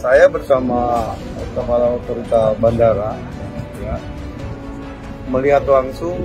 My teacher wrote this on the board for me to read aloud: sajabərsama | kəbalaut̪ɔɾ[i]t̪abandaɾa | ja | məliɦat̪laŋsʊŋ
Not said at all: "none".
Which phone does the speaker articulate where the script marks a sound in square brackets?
i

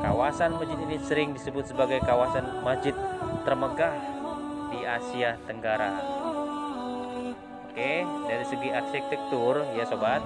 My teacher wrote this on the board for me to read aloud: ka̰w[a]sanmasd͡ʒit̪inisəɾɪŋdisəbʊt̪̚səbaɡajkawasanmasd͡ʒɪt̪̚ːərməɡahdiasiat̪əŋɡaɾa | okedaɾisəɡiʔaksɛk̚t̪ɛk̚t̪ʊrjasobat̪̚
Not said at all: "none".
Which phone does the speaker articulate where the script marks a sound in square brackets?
a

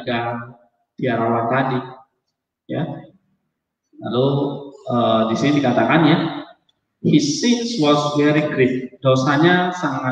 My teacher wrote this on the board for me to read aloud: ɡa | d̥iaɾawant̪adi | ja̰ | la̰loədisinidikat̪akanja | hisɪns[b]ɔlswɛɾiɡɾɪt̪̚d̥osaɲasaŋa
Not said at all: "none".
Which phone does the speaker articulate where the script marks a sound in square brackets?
w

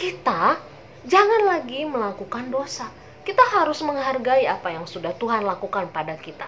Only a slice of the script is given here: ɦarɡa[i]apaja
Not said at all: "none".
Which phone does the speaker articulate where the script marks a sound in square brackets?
i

